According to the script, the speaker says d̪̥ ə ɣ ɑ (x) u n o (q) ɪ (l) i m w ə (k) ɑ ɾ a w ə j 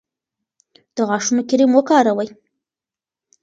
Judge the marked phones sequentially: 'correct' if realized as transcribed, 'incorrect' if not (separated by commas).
incorrect, incorrect, incorrect, correct